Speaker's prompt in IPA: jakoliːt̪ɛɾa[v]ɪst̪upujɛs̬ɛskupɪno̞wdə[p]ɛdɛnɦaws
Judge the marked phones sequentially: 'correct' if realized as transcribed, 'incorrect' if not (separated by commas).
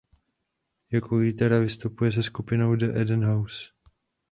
correct, incorrect